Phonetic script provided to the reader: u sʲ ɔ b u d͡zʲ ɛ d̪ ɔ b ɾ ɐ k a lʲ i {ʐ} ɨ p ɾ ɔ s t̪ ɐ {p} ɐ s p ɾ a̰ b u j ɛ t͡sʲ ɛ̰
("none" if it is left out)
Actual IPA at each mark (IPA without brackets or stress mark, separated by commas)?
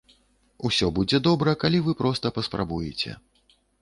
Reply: v, p